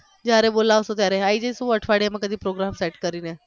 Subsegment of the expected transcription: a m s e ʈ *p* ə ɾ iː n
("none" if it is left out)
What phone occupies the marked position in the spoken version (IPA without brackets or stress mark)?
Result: k